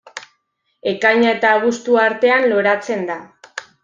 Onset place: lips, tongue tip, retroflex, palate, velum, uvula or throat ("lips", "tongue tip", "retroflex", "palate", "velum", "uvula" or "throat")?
velum